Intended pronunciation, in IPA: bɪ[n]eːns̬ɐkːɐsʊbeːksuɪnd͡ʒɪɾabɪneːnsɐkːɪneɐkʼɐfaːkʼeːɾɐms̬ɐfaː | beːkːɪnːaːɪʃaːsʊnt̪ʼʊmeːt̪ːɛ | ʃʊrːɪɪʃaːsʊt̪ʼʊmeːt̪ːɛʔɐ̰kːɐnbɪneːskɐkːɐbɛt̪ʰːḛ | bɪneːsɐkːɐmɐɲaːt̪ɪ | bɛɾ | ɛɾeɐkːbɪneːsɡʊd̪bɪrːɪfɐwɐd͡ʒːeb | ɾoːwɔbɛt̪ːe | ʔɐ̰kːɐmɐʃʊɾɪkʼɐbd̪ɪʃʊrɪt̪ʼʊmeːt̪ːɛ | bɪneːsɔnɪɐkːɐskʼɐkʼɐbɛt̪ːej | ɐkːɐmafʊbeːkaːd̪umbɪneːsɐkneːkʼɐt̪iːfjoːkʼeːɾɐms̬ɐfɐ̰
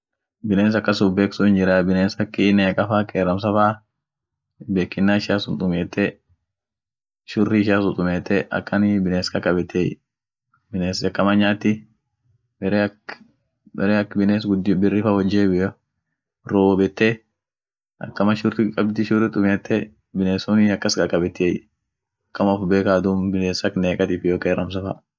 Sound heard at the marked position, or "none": n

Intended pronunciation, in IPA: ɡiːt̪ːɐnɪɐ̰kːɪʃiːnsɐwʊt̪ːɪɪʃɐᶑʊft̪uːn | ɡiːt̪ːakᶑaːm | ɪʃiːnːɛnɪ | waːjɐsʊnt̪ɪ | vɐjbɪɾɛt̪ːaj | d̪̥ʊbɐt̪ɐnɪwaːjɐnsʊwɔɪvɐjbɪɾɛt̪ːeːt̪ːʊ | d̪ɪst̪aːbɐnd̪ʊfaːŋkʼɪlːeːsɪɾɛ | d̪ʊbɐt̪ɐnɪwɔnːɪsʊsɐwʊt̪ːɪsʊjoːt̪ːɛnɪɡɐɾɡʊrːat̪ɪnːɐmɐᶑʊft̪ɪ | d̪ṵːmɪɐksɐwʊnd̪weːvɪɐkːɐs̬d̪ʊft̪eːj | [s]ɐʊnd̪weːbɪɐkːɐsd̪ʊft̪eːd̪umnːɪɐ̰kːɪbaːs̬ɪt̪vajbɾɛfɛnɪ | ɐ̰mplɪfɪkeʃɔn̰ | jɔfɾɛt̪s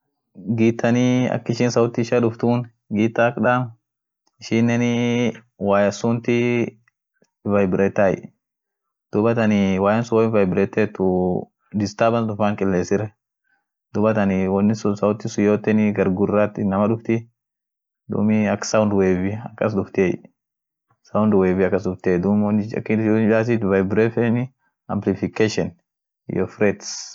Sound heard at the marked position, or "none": s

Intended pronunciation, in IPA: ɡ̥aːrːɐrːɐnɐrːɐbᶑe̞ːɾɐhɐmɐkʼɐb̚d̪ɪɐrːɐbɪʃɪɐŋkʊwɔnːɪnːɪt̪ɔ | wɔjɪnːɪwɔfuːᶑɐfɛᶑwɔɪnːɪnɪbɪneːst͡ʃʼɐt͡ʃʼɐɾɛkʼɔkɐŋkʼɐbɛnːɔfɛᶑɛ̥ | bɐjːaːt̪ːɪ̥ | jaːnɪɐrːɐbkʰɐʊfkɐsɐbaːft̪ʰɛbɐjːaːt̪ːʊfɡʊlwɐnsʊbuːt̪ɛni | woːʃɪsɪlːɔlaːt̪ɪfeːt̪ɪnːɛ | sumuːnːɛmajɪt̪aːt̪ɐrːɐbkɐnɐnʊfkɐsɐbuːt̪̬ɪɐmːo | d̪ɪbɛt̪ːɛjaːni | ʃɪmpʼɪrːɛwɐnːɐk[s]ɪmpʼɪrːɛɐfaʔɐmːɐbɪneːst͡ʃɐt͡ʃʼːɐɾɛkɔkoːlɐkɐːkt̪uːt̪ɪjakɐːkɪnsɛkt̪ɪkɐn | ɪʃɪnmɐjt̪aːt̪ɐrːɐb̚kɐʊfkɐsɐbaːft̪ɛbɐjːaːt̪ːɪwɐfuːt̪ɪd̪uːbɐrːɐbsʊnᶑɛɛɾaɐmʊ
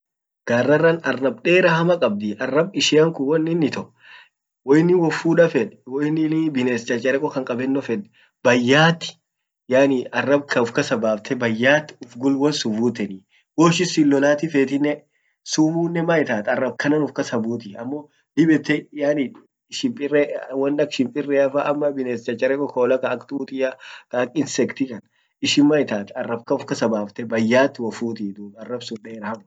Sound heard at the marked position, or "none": ʃ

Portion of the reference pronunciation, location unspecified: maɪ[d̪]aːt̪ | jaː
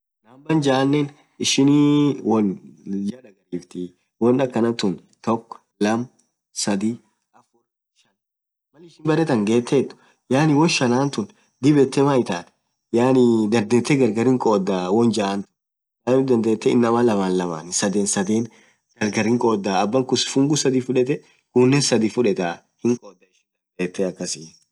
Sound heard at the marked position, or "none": t̪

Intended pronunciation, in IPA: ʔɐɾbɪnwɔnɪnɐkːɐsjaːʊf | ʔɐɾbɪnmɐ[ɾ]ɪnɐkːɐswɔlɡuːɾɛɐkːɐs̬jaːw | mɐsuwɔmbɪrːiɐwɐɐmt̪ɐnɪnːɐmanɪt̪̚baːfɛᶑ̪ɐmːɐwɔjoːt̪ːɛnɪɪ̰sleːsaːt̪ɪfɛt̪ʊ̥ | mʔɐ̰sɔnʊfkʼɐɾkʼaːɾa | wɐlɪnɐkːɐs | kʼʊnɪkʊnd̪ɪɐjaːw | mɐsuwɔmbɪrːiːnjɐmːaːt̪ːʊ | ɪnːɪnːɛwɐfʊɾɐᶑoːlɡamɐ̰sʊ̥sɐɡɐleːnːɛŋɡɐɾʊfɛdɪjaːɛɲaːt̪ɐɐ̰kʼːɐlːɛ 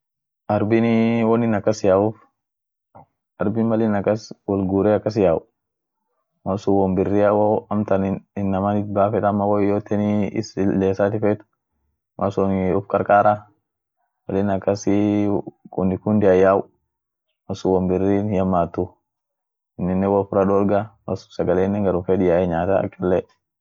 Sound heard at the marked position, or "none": l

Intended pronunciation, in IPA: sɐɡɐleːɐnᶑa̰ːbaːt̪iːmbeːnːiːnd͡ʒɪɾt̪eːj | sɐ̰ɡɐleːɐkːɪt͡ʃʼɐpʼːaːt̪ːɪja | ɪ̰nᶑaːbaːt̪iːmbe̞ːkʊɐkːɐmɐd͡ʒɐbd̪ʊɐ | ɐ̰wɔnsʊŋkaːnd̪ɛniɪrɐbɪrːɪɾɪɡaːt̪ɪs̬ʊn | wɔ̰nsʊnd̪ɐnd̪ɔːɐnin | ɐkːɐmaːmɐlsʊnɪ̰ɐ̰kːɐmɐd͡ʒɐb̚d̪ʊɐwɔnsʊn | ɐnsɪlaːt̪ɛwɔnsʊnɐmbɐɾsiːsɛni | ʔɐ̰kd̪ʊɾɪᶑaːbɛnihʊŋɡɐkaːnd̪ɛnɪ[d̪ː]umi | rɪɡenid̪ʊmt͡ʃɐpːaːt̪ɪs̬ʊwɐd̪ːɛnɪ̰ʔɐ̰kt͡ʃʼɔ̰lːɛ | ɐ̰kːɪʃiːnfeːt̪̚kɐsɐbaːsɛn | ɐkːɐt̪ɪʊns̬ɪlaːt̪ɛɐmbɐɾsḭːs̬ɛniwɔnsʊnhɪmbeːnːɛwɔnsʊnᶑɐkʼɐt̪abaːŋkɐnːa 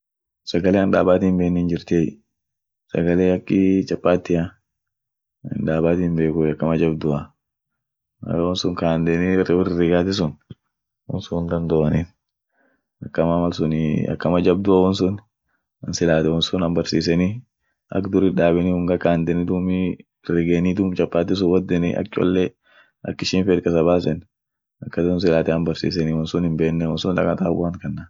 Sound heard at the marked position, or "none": d̪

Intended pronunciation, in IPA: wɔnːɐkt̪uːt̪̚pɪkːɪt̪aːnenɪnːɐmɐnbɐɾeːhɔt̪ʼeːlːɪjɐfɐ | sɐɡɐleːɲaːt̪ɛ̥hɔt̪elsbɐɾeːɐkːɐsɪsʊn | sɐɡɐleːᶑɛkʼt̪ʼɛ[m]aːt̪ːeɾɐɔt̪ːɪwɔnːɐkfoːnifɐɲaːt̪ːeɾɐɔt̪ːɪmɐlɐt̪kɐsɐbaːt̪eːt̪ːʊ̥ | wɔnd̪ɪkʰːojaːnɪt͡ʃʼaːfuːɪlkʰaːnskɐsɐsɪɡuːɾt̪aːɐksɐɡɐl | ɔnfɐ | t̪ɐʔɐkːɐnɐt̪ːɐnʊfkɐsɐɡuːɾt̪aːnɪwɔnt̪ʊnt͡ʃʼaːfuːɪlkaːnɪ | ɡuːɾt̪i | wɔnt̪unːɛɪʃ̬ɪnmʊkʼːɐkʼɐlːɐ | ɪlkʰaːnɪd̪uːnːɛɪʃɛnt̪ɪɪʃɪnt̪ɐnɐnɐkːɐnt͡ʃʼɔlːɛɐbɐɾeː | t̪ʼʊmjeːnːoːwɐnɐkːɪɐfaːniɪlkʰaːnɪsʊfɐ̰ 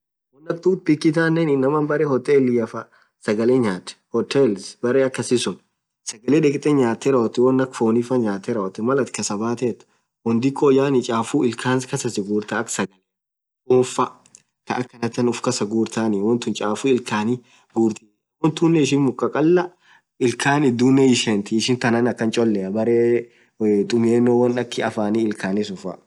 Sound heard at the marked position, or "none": ɲ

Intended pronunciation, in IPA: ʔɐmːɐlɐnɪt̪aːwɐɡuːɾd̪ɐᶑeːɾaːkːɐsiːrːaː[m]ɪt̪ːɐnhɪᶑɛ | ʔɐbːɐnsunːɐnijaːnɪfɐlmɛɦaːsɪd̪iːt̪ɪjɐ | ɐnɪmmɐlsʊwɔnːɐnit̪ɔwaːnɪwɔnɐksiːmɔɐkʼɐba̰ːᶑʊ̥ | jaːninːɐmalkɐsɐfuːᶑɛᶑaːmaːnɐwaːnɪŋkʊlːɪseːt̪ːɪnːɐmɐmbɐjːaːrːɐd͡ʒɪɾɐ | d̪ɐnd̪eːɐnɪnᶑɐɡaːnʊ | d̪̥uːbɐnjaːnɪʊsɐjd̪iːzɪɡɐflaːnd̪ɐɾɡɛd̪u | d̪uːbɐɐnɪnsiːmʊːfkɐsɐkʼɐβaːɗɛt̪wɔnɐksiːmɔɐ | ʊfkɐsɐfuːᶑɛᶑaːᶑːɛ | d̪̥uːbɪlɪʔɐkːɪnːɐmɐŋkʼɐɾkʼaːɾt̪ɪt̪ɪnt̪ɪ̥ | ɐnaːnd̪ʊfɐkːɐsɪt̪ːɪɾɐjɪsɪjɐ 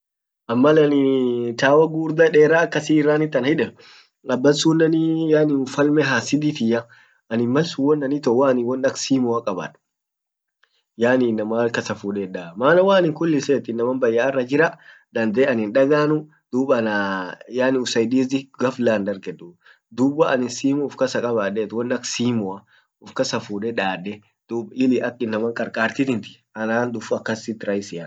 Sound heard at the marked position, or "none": n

